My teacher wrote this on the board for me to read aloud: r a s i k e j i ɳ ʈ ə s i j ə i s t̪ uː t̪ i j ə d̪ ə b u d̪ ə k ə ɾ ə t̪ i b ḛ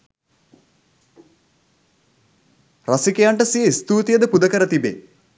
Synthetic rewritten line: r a s i k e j a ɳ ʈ ə s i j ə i s t̪ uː t̪ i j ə d̪ ə p u d̪ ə k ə ɾ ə t̪ i b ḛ